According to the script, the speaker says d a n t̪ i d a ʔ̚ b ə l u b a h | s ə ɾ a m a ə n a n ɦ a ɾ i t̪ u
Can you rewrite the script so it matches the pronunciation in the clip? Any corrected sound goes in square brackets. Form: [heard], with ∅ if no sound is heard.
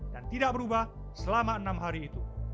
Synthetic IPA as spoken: d a n t̪ i d a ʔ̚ b ə [ɾ] u b a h | s ə [l] a m a ə n a [m] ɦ a ɾ [iː] t̪ u